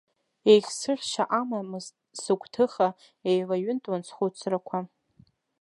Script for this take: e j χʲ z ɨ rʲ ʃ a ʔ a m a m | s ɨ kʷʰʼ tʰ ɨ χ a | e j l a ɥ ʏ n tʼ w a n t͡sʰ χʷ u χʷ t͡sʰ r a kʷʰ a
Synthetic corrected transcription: e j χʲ s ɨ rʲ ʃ a ʔ a m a m | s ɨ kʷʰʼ tʰ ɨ χ a | e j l a ɥ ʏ n tʼ w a n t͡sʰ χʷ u t͡sʰ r a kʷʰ a